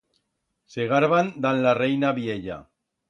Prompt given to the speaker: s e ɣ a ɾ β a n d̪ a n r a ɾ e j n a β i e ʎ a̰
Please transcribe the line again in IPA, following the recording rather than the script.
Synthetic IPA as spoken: s e ɣ a ɾ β a n d̪ a n l a r e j n a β i e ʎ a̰